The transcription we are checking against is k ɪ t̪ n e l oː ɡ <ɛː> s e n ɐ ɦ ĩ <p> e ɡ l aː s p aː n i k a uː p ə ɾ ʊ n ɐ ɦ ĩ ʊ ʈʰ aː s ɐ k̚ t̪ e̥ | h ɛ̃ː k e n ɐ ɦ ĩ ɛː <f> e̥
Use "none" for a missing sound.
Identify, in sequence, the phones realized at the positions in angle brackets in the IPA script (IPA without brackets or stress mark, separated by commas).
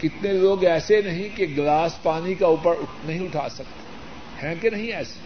ɛː, k, s